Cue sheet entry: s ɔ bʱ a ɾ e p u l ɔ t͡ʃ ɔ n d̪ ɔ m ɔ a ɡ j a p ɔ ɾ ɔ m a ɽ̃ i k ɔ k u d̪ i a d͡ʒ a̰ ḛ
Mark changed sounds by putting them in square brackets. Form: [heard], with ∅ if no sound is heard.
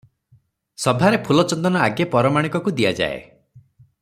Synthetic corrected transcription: s ɔ bʱ a ɾ e [pʰ] u l ɔ t͡ʃ ɔ n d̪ ɔ [n] ɔ a ɡ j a p ɔ ɾ ɔ m a ɽ̃ i k ɔ k u d̪ i a d͡ʒ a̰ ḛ